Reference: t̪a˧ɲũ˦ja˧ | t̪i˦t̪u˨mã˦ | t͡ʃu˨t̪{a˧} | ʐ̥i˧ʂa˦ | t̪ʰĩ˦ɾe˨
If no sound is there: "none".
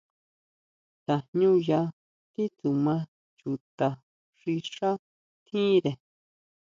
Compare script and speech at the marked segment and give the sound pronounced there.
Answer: a˧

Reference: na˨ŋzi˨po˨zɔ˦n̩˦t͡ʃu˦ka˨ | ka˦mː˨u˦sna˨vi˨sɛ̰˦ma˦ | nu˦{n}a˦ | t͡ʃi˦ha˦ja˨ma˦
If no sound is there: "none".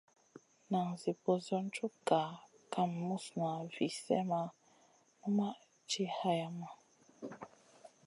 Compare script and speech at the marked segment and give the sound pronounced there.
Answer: m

